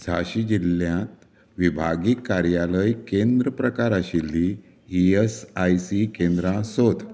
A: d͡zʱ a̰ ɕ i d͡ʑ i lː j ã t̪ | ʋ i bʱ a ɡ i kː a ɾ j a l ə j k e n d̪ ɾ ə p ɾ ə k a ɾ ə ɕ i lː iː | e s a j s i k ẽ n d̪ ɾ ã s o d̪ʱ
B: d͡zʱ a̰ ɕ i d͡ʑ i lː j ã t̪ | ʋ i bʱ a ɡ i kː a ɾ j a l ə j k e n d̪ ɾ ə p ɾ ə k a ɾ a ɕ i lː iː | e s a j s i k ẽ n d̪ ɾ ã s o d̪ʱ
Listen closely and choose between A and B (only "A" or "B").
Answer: B